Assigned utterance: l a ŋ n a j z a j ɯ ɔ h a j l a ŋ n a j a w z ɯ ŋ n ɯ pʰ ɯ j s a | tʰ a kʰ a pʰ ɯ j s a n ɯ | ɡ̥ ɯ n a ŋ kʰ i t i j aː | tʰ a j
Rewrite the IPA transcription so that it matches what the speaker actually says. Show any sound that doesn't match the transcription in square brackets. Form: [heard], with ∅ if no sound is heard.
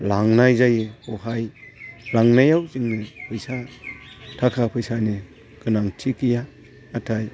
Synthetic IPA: l a ŋ n a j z a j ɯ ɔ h a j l a ŋ n a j a w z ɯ ŋ n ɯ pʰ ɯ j s a | tʰ a kʰ a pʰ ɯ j s a n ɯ | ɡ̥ ɯ n a ŋ [tʰ] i [k] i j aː | tʰ a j